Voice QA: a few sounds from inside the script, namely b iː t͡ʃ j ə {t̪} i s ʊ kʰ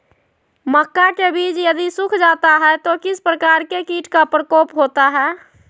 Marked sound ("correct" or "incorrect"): incorrect